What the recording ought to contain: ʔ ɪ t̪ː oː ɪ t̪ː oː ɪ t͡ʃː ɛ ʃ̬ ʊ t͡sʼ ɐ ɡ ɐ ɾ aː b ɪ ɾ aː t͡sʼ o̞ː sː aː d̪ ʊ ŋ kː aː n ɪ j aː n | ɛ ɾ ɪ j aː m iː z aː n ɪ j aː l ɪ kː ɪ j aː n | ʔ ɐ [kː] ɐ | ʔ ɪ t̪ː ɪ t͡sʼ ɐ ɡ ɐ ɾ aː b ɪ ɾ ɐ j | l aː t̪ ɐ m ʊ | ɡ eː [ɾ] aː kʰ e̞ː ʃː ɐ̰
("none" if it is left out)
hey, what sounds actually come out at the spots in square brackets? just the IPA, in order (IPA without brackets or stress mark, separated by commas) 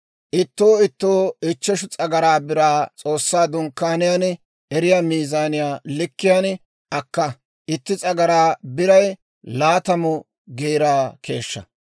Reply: kː, ɾ